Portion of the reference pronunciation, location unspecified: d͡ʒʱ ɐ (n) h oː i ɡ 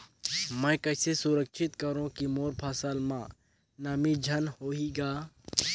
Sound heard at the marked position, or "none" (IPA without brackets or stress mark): n